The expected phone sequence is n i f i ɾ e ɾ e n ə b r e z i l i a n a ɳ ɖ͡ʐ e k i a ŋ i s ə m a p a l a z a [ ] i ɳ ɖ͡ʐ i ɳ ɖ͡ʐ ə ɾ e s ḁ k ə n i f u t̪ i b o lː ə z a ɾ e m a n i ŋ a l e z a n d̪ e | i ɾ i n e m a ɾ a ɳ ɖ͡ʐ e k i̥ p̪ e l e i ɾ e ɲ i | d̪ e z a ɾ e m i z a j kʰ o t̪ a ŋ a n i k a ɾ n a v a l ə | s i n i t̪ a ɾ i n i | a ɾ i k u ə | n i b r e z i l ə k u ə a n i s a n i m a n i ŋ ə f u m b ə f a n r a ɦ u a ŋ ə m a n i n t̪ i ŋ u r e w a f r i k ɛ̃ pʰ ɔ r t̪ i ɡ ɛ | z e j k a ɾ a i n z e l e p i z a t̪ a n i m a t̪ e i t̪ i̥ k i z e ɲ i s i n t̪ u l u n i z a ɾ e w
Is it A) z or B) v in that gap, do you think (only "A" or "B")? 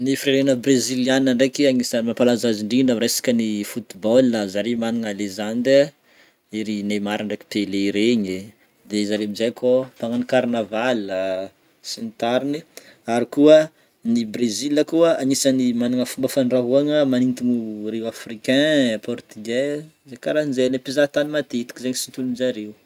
A